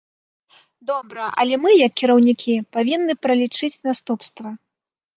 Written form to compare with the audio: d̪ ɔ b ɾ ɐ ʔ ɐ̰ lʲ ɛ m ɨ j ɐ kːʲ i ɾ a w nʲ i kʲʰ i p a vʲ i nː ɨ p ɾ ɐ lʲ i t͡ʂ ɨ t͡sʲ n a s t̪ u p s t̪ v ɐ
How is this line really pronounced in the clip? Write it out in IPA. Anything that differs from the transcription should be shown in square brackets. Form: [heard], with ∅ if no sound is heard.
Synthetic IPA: d̪ ɔ b ɾ ɐ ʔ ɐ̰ lʲ ɛ m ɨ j ɐ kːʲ i ɾ [ɐ] w nʲ i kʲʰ i p a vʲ i nː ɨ p ɾ ɐ lʲ i t͡ʂ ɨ t͡sʲ n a s t̪ u p s t̪ v ɐ